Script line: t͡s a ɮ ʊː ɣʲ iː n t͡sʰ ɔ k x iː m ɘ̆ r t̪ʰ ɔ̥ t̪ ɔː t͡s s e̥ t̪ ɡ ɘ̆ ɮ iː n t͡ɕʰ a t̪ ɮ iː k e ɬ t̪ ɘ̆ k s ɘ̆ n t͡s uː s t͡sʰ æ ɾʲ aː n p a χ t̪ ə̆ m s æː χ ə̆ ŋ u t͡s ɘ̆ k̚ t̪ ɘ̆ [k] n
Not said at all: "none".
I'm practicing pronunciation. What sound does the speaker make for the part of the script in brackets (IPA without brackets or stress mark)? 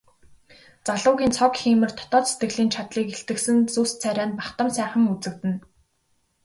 none